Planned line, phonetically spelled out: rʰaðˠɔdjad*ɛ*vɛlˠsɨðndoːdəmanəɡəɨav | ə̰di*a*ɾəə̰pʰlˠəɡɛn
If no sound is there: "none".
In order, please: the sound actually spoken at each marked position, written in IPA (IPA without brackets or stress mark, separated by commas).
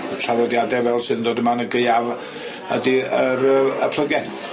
ɛ, ə